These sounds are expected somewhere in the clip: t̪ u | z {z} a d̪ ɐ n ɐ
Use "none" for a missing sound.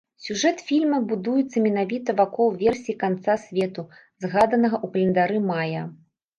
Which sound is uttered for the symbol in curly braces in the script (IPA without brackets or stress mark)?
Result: ɣ